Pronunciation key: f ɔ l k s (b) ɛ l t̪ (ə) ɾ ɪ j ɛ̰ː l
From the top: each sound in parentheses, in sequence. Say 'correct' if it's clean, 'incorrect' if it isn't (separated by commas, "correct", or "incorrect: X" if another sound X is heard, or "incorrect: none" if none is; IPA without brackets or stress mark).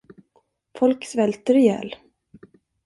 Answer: incorrect: v, correct